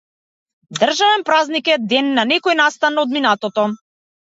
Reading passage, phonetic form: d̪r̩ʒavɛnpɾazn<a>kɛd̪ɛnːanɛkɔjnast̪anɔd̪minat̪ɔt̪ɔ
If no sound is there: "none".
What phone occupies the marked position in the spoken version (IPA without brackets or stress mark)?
i